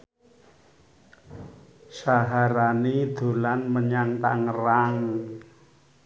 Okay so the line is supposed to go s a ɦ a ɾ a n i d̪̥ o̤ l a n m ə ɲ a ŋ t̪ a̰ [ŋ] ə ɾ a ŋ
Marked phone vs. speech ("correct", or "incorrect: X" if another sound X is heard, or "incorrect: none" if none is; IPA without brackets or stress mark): correct